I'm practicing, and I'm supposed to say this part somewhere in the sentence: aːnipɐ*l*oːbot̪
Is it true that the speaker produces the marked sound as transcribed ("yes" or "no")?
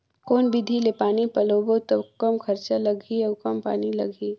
yes